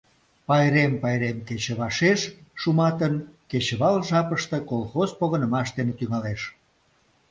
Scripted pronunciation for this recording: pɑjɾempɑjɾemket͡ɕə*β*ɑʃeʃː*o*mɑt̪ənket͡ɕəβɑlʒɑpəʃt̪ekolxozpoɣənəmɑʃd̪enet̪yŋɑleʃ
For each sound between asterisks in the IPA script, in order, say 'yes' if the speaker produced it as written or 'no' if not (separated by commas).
yes, no